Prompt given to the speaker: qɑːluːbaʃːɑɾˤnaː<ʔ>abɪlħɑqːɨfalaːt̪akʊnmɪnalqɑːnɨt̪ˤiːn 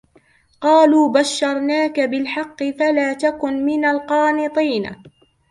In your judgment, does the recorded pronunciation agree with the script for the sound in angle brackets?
no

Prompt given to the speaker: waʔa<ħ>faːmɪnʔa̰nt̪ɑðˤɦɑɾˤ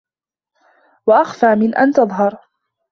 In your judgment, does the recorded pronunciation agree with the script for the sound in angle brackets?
no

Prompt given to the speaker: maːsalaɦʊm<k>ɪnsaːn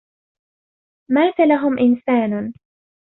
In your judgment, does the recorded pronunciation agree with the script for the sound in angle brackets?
no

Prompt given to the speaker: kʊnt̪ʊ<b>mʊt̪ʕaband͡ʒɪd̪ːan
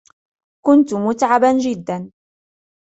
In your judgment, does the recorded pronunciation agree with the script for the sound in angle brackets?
no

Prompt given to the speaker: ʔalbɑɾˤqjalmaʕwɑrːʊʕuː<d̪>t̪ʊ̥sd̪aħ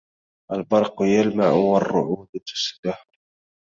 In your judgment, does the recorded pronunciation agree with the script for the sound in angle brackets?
yes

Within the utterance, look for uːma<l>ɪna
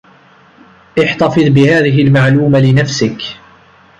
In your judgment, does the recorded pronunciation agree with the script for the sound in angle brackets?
yes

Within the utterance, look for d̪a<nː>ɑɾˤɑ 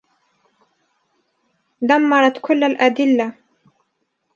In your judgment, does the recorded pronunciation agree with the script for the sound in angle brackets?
no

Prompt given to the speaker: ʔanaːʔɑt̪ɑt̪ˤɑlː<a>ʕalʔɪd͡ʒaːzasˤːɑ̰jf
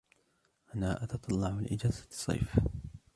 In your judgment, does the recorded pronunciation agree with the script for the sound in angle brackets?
no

